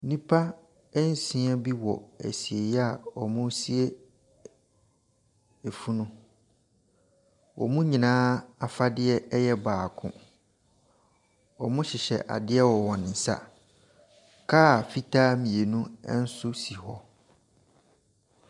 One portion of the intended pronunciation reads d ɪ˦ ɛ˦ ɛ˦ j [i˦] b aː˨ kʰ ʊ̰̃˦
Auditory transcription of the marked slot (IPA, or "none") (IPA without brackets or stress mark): ɛ˦